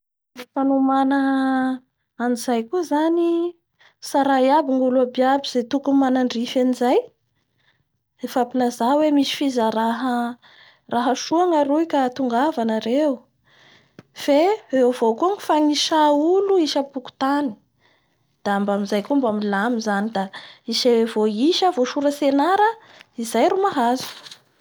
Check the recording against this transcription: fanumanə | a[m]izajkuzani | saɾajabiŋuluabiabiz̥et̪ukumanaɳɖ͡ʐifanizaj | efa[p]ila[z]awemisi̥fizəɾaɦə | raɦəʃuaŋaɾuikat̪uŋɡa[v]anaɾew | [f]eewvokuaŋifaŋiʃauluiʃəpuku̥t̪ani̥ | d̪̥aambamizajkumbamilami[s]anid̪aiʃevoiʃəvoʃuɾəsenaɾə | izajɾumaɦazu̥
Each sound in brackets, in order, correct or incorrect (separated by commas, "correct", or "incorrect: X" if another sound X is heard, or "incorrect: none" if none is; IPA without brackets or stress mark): incorrect: n, correct, correct, correct, correct, incorrect: z